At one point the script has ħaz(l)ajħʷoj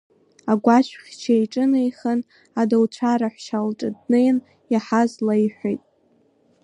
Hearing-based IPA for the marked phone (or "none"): l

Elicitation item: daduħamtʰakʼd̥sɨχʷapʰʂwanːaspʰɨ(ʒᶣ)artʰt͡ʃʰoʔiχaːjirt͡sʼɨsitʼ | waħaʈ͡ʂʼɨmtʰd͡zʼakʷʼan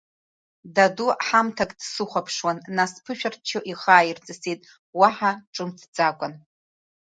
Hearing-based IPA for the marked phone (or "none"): ʃᶣ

